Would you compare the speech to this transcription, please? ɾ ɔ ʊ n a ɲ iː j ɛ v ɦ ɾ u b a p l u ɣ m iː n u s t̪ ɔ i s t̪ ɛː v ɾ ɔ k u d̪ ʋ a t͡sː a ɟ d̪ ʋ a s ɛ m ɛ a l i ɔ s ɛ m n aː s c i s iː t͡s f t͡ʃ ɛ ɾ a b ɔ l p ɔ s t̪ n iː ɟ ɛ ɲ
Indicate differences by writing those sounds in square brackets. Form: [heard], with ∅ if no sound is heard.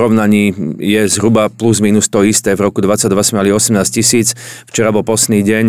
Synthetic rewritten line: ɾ ɔ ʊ n a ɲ iː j ɛ [z] ɦ ɾ u b a p l u [z] m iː n u s t̪ ɔ i s t̪ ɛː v ɾ ɔ k u d̪ ʋ a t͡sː a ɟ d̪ ʋ a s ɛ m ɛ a l i ɔ s ɛ m n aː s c i s iː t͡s f t͡ʃ ɛ ɾ a b ɔ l p ɔ s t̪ n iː ɟ ɛ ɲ